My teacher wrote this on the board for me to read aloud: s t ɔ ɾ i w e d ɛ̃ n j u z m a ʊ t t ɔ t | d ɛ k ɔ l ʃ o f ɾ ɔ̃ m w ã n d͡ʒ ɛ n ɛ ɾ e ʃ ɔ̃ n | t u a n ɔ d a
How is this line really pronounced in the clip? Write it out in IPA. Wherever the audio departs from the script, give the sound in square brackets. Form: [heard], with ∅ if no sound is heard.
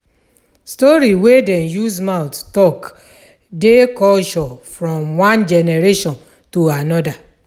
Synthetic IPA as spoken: s t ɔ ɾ i w e d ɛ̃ n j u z m a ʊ t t ɔ [k] | d [e] k ɔ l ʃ [ɔ] f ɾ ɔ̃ m w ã n d͡ʒ ɛ n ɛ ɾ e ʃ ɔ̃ n | t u a n ɔ d a